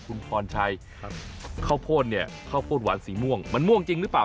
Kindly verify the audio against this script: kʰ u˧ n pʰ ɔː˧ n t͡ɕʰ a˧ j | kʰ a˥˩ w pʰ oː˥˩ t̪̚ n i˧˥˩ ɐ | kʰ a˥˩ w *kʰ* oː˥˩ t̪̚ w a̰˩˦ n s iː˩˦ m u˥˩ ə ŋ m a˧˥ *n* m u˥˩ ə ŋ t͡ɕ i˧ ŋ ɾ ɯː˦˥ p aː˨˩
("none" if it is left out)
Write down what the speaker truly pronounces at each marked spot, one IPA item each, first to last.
pʰ, n

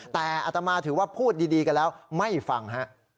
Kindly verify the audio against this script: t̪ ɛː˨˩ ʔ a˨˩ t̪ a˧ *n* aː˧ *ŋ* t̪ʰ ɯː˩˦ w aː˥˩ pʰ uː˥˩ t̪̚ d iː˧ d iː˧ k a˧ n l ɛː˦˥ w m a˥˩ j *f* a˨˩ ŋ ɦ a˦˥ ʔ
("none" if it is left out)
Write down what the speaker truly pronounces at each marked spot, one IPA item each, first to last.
m, none, f

